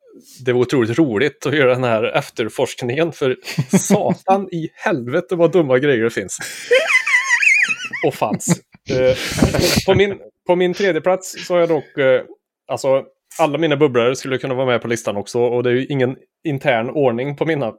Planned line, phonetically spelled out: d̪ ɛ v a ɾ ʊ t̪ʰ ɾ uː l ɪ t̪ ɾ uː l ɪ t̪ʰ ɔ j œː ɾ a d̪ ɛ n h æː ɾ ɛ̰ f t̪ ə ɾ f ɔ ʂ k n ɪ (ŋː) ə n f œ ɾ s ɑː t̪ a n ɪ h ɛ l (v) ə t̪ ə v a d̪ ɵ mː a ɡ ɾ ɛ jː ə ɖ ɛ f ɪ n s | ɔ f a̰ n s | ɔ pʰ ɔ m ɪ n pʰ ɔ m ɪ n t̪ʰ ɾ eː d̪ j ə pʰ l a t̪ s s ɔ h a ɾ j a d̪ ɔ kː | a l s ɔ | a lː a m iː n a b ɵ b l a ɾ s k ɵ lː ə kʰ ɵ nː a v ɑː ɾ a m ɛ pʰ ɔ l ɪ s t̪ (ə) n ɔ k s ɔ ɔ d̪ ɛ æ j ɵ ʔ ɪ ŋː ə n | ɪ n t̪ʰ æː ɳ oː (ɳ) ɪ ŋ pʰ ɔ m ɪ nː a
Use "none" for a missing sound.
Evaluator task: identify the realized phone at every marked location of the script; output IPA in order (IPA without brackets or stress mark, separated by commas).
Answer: ŋ, v, a, ɳ